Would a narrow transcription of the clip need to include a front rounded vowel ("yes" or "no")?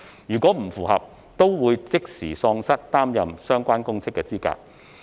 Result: yes